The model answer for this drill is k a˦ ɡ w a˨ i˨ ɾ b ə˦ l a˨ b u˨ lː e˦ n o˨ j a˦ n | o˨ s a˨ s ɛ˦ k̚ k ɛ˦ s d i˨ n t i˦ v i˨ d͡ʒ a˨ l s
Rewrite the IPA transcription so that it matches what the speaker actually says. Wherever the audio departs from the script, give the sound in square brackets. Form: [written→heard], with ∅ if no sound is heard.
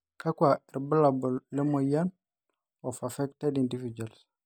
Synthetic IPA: k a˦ [ɡ→k] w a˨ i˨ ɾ b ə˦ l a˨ b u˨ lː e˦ [n→m] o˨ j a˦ n | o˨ [s→f] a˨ [s→f] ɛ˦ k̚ [k→t] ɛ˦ [s→∅] d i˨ n [t→d] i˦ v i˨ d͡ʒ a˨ l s